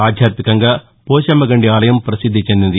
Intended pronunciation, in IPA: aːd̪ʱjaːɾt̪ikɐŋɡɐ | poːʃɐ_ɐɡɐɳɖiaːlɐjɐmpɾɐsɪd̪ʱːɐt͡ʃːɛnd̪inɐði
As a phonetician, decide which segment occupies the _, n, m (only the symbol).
m